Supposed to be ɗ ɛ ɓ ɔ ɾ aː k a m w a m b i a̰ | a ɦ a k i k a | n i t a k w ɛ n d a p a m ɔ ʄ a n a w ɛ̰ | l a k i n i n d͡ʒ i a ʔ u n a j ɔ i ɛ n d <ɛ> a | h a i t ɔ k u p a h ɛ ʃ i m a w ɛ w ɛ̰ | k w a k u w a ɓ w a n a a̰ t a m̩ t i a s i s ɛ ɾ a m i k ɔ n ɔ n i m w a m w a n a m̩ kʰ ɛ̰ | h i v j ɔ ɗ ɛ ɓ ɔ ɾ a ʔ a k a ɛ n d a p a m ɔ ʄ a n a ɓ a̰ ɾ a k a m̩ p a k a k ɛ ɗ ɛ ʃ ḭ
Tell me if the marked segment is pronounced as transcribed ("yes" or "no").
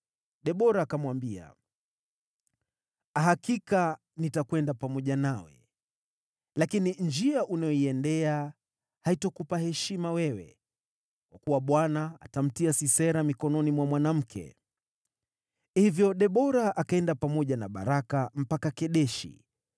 yes